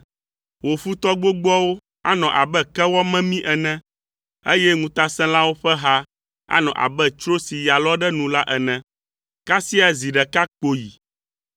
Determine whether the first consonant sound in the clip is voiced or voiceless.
voiced